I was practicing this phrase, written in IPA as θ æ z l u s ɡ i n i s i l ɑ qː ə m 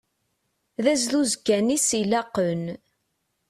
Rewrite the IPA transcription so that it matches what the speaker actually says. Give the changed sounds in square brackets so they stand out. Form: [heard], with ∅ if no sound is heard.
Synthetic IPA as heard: [ð] æ z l u [z] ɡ [æ] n i s i l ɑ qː ə [n]